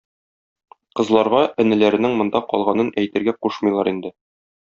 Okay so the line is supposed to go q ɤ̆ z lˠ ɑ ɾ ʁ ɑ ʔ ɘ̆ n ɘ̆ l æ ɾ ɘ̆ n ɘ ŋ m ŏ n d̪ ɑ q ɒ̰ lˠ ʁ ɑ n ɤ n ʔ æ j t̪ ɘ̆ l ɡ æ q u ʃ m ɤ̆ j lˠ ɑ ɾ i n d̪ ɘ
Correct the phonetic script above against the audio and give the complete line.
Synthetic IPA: q ɤ̆ z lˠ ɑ ɾ ʁ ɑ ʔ ɘ̆ n ɘ̆ l æ ɾ ɘ̆ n ɘ ŋ m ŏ n d̪ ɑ q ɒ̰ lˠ ʁ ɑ n ɤ n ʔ æ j t̪ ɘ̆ ɾ ɡ æ q u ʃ m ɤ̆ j lˠ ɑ ɾ i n d̪ ɘ